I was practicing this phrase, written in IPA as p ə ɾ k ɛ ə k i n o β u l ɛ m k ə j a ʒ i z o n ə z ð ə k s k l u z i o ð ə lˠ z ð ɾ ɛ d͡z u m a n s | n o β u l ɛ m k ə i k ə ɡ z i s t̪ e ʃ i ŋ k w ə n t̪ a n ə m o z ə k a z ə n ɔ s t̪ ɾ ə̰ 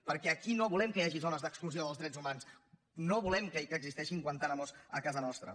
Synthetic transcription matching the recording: p ə ɾ k ɛ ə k i n o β u l ɛ m k ə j a ʒ i z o n ə z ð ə k s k l u z i o ð ə lˠ z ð ɾ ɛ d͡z u m a n s | n o β u l ɛ m k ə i k ə ɡ z i s t̪ ɛ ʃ i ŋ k w ə n t̪ a n ə m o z ə k a z ə n ɔ s t̪ ɾ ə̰